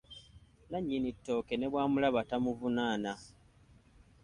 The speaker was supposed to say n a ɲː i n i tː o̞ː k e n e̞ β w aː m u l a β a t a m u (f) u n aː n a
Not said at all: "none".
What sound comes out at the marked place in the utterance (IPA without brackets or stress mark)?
v